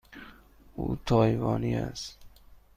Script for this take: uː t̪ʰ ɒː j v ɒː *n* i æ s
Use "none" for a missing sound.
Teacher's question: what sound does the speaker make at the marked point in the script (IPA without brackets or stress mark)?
n